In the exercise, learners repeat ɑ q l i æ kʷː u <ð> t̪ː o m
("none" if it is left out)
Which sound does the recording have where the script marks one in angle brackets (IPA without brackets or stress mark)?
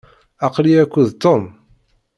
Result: ð